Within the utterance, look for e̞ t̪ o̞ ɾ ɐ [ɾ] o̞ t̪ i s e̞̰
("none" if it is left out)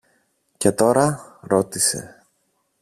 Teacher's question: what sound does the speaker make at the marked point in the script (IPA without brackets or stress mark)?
ɾ